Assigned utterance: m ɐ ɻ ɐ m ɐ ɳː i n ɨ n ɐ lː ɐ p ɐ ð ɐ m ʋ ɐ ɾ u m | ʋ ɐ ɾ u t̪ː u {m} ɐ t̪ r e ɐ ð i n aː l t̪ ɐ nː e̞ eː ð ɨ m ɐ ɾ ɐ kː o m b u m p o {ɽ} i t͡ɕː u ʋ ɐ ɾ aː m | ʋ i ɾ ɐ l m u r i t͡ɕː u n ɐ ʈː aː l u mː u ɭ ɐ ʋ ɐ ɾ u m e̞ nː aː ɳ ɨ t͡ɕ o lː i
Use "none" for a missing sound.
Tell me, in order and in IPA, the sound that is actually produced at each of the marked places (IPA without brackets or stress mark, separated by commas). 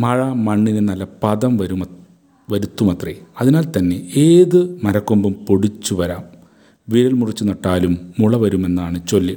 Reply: m, ɽ